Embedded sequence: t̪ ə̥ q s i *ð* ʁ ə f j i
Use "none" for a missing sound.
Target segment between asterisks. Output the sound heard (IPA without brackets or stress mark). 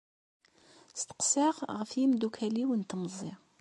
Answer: ʁ